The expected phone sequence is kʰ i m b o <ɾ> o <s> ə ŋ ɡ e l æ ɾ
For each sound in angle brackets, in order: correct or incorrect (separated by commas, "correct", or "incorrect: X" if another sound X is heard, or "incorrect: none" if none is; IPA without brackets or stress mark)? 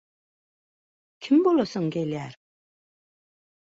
incorrect: l, correct